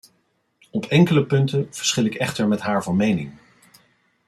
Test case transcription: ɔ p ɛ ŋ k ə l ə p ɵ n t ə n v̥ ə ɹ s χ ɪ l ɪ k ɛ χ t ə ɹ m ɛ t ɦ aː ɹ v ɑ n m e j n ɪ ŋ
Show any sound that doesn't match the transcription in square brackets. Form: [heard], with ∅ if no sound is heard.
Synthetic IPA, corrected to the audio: ɔ p ɛ ŋ k ə l ə p ɵ n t ə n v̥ ə ɹ s χ ɪ l ɪ k ɛ χ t ə ɹ m ɛ t ɦ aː ɹ v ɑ n m e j n ɪ ŋ